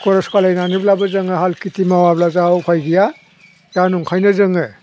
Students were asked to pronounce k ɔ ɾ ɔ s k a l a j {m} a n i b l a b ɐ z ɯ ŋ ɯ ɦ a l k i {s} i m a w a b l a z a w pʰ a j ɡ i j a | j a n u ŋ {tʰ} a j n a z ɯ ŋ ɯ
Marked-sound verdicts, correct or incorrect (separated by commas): incorrect, incorrect, incorrect